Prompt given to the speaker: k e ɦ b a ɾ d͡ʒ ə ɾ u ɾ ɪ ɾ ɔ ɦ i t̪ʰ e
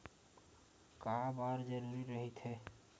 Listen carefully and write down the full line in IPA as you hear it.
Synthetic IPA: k a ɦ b a ɾ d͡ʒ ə ɾ u ɾ i ɾ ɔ ɦ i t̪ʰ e